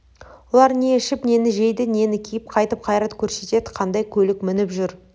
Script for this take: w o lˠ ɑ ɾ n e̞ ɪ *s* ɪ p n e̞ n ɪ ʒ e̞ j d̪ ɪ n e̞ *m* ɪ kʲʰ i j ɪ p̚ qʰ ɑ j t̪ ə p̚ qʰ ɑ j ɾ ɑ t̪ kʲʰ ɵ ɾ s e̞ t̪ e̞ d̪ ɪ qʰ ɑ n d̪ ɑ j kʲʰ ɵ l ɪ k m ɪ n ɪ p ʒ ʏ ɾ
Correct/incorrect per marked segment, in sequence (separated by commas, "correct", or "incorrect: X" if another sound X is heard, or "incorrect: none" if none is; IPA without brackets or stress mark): incorrect: ʃ, incorrect: n